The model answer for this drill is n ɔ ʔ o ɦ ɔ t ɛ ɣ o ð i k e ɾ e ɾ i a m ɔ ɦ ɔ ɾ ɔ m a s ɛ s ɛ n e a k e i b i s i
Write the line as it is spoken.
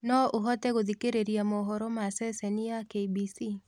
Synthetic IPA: n ɔ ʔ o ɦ ɔ t ɛ ɣ o ð i k e ɾ e ɾ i a m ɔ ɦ ɔ ɾ ɔ m a s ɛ s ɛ n i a k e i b i s i